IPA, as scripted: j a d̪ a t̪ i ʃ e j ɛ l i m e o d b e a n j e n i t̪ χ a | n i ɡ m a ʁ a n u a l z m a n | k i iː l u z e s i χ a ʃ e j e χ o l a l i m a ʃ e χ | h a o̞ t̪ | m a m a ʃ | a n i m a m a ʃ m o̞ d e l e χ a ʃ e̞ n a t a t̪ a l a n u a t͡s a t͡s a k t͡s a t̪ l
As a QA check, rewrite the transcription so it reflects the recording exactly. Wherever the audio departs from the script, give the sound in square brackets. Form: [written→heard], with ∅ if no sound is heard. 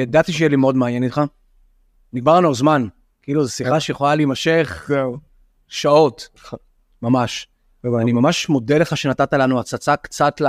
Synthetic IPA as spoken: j a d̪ a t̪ i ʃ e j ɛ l i m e o d [b→m] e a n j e n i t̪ χ a | n i ɡ m a ʁ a n u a l z m a n | k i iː l u z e s i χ a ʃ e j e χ o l a l i m a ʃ e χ | [h→ʃ] a o̞ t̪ | m a m a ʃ | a n i m a m a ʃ m o̞ d e l e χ a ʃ e̞ n a t a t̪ a l a n u a t͡s a t͡s a k t͡s a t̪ l